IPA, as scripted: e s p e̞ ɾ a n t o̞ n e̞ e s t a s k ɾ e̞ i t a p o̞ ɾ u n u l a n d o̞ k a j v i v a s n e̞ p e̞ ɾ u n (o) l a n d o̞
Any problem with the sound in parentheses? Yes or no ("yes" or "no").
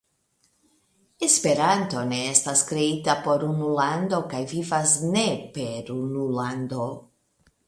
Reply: yes